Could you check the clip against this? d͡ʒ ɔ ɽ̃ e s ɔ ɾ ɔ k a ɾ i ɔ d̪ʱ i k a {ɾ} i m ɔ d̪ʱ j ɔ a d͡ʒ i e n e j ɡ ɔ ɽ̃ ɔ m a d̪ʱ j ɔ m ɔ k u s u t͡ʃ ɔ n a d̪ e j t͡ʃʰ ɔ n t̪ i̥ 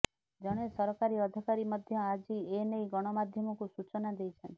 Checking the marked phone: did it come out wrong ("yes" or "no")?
no